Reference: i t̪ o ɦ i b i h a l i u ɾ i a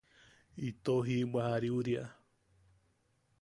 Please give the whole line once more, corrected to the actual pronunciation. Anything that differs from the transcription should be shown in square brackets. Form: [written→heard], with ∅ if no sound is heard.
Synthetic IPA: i t̪ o ɦ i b [i→a] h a [l→ɾ] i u ɾ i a